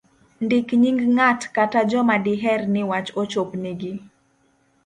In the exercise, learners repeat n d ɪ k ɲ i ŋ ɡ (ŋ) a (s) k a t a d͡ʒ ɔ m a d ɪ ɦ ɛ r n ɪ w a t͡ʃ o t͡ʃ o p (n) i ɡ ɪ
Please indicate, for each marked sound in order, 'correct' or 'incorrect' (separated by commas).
correct, incorrect, correct